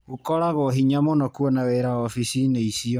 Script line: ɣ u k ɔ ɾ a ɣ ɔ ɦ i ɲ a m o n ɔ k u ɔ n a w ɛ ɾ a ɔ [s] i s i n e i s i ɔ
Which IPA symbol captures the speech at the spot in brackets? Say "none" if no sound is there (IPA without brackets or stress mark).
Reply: f